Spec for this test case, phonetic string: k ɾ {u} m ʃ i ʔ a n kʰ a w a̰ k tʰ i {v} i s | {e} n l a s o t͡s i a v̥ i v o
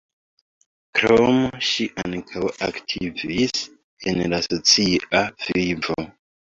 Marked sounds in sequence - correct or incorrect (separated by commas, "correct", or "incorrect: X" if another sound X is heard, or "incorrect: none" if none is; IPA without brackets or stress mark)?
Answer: incorrect: o, correct, correct